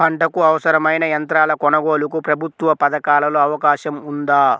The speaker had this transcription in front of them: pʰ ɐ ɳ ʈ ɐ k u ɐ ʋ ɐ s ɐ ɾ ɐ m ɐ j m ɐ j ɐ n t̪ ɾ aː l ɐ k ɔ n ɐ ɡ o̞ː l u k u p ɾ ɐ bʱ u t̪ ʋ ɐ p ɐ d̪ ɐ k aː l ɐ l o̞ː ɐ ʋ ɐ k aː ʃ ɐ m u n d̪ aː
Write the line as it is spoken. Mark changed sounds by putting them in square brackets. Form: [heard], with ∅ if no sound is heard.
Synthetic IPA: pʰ ɐ ɳ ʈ ɐ k u ɐ ʋ ɐ s ɐ ɾ ɐ m ɐ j [n] ɐ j ɐ n t̪ ɾ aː l ɐ k ɔ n ɐ ɡ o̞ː l u k u p ɾ ɐ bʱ u t̪ ʋ ɐ p ɐ d̪ ɐ k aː l ɐ l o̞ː ɐ ʋ ɐ k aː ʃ ɐ m u n d̪ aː

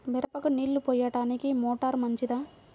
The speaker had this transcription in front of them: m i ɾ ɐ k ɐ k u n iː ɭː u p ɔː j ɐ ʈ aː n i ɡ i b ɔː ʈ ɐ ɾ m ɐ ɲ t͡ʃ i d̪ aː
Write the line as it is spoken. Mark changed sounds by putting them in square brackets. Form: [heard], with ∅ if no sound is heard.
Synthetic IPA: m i ɾ ɐ [p] ɐ k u n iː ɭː u p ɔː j ɐ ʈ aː n i [k] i [m] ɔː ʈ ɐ ɾ m ɐ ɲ t͡ʃ i d̪ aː

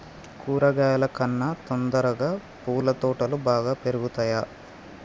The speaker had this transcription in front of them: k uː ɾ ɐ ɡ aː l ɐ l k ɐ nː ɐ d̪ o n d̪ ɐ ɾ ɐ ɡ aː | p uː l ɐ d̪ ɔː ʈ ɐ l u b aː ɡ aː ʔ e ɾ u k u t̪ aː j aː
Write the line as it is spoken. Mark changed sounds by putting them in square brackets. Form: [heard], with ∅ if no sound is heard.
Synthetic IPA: k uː ɾ ɐ ɡ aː l ɐ [∅] k ɐ nː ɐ [t̪] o n d̪ ɐ ɾ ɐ ɡ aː | p uː l ɐ [t̪] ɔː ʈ ɐ l u b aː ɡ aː [p] e ɾ u [ɡ] u t̪ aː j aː

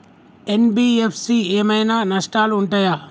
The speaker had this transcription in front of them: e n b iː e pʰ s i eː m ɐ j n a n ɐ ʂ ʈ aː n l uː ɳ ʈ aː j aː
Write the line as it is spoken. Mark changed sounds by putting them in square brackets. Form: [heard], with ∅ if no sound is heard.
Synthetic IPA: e n b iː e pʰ s i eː m ɐ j n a n ɐ ʂ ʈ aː [∅] l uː ɳ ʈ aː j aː

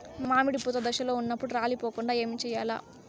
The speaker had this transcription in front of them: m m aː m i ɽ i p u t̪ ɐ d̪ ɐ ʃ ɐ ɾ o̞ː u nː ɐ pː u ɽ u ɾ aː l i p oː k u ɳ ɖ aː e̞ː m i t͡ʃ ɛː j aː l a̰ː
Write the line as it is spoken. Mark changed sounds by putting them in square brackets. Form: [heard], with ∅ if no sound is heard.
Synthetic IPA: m m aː m i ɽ i p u t̪ ɐ d̪ ɐ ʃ ɐ [l] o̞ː u nː ɐ pː u ɽ u ɾ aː l i p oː k u ɳ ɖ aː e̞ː m i t͡ʃ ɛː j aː l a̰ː

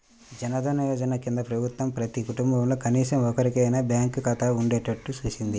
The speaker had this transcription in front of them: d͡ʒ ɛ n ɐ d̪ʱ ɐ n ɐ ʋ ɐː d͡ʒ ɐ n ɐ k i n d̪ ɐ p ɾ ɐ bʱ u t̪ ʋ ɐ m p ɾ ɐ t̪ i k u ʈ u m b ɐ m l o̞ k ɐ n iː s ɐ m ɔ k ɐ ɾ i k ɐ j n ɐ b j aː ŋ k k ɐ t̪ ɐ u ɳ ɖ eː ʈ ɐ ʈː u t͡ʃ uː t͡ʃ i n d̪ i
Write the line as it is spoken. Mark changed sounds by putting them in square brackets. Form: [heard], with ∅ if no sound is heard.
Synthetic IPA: d͡ʒ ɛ n ɐ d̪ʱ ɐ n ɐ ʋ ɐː d͡ʒ ɐ n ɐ k i n d̪ ɐ p ɾ ɐ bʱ u t̪ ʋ ɐ m p ɾ ɐ t̪ i k u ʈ u m b ɐ m l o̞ k ɐ n iː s ɐ m ɔ k ɐ ɾ i k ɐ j n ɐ b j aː ŋ k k ɐ t̪ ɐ u ɳ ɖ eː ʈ ɐ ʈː u t͡ʃ uː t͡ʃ i n d̪ i

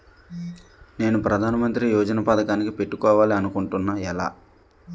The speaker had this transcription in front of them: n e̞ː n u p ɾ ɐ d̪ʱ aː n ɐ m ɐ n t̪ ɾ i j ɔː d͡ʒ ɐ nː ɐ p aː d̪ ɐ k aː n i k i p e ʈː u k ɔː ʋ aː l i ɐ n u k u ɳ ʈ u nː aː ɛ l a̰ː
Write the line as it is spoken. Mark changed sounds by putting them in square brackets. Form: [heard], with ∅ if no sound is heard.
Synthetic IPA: n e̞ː n u p ɾ ɐ d̪ʱ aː n ɐ m ɐ n t̪ ɾ i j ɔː d͡ʒ ɐ [n] ɐ p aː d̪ ɐ k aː n i k i p e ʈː u k ɔː ʋ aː l i ɐ n u k u ɳ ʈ u nː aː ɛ l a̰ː

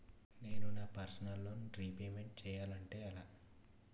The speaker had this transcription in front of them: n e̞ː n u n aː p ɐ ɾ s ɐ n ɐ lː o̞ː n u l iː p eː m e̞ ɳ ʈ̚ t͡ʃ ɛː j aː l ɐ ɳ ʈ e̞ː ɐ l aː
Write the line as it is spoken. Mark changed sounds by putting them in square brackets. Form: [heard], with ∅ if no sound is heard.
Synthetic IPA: n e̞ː n u n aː p ɐ ɾ s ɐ n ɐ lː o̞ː n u [ɾ] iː p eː m e̞ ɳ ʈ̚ t͡ʃ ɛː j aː l ɐ ɳ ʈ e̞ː ɐ l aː

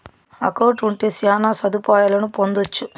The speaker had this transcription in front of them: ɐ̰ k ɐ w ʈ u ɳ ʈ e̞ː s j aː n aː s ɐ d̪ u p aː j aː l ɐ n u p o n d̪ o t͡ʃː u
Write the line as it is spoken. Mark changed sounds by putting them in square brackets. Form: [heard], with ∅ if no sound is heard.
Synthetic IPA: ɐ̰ k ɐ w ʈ u ɳ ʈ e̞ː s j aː n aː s ɐ d̪ u p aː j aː l ɐ n u p o n d̪ o t͡ʃː u

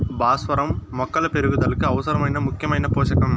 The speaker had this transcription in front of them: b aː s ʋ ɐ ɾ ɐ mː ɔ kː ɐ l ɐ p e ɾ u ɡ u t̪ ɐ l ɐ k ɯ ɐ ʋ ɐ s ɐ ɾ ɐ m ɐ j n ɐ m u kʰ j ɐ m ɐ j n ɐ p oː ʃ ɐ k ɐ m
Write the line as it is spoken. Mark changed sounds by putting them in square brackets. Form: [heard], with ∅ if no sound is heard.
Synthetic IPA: b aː s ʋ ɐ ɾ ɐ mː ɔ kː ɐ l ɐ p e ɾ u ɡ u [d̪] ɐ l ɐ k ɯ ɐ ʋ ɐ s ɐ ɾ ɐ m ɐ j n ɐ m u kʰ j ɐ m ɐ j n ɐ p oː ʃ ɐ k ɐ m

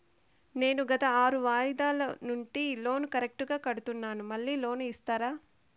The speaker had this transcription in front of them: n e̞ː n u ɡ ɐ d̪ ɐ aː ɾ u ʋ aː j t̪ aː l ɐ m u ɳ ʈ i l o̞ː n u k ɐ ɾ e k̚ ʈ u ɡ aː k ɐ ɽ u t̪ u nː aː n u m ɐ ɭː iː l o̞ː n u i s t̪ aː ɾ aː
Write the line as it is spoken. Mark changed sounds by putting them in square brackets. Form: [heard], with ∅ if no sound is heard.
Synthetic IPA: n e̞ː n u ɡ ɐ [t̪] ɐ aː ɾ u ʋ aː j [d̪] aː l ɐ [n] u ɳ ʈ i l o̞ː n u k ɐ ɾ e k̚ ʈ u ɡ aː k ɐ ɽ u t̪ u nː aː n u m ɐ ɭː iː l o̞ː n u i s t̪ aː ɾ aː

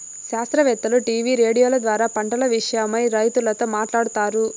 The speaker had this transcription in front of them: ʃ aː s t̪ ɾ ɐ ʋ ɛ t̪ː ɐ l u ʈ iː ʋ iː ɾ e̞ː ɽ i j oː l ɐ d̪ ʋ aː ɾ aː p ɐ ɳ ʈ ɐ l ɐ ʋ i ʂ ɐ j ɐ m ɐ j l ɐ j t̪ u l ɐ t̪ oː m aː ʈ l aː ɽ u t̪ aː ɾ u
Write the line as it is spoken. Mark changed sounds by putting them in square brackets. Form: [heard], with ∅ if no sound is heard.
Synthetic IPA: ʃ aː s t̪ ɾ ɐ ʋ ɛ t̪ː ɐ l u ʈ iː ʋ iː ɾ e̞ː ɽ i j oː l ɐ d̪ ʋ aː ɾ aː p ɐ ɳ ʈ ɐ l ɐ ʋ i ʂ ɐ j ɐ m ɐ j [ɾ] ɐ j t̪ u l ɐ t̪ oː m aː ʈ l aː ɽ u t̪ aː ɾ u

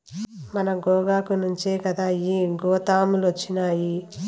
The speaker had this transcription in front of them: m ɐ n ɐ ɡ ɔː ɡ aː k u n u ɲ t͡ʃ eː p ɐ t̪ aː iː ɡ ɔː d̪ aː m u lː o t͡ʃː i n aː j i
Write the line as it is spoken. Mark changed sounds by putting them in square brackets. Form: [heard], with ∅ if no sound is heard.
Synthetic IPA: m ɐ n ɐ ɡ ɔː ɡ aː k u n u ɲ t͡ʃ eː [k] ɐ [d̪] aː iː ɡ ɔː [t̪] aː m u [l] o t͡ʃː i n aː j i

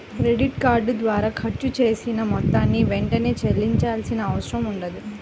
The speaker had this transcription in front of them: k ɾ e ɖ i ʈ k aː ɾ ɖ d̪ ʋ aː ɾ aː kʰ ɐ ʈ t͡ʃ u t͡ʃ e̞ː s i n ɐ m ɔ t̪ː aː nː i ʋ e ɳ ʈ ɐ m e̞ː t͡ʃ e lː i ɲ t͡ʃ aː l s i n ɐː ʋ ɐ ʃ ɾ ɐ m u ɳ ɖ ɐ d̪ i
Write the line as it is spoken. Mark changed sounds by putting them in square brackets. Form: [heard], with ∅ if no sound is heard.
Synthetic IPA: k ɾ e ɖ i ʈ k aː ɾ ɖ d̪ ʋ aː ɾ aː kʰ ɐ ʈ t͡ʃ u t͡ʃ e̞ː s i n ɐ m ɔ t̪ː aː nː i ʋ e ɳ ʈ ɐ [n] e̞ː t͡ʃ e lː i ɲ t͡ʃ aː l s i n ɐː ʋ ɐ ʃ ɾ ɐ m u ɳ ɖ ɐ d̪ i

